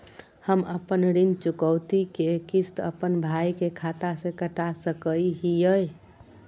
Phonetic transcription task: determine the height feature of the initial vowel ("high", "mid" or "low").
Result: mid